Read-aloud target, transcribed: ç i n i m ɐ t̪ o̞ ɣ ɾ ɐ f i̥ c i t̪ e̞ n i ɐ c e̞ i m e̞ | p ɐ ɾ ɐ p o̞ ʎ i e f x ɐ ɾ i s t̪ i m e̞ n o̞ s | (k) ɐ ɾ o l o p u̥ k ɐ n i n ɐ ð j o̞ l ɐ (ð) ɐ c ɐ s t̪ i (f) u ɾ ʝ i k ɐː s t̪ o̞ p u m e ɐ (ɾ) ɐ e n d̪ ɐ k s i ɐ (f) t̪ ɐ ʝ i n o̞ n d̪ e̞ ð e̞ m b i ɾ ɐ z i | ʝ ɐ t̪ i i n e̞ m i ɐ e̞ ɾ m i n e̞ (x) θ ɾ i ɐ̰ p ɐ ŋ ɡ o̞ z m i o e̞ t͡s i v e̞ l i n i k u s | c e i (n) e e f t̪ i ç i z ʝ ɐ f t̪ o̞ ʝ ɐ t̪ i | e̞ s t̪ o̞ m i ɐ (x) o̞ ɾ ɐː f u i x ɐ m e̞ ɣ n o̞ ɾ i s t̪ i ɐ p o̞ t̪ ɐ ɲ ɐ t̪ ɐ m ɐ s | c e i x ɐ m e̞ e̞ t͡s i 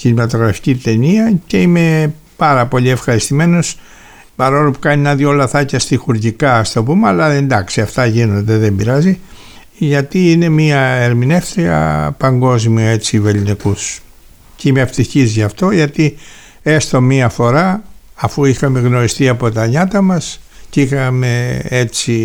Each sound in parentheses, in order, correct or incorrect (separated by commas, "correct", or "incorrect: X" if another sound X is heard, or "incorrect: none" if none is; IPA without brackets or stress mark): incorrect: p, incorrect: θ, incorrect: x, incorrect: l, correct, incorrect: f, incorrect: m, incorrect: f